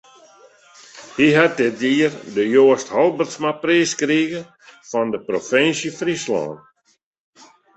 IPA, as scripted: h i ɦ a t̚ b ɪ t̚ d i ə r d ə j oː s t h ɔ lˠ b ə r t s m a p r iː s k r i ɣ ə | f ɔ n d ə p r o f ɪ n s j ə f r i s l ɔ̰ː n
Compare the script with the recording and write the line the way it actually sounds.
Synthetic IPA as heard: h i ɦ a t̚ d ɪ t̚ d i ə r d ə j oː s t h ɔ lˠ b ə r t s m a p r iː s k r i ɣ ə | f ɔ n d ə p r o f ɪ n s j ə f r i s l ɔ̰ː n